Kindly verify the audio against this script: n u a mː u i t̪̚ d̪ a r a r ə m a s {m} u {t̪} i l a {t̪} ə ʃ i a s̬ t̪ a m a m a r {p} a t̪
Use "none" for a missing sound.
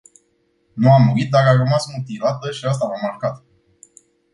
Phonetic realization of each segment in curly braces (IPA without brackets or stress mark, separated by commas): m, t̪, t̪, k